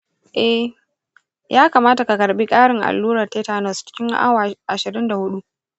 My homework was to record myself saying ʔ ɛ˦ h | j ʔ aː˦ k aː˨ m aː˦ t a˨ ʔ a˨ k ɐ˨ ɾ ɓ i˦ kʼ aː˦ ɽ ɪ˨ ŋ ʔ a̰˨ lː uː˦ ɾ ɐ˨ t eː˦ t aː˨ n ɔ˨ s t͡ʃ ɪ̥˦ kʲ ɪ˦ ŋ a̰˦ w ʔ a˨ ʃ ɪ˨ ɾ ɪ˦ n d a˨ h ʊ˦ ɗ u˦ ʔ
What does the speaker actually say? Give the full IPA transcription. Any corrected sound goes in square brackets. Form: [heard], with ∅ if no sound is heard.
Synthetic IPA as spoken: ʔ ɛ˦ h | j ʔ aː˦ k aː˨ m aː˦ t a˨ [k] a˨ k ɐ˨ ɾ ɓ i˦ kʼ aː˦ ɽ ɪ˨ ŋ ʔ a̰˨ lː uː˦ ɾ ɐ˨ t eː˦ t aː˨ n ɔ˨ s t͡ʃ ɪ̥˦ kʲ ɪ˦ ŋ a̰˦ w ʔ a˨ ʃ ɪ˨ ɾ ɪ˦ n d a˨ h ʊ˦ ɗ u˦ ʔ